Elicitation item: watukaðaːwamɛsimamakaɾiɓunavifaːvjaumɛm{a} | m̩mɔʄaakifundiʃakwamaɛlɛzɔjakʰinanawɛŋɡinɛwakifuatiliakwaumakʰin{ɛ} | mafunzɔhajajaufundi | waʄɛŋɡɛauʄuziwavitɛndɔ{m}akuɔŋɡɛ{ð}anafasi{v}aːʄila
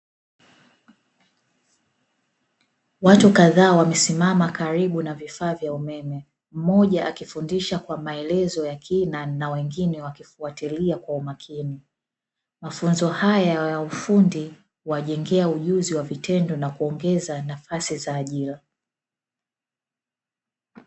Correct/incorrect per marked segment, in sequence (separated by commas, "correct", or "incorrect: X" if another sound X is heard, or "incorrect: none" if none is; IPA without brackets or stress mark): incorrect: ɛ, incorrect: i, incorrect: n, incorrect: z, incorrect: z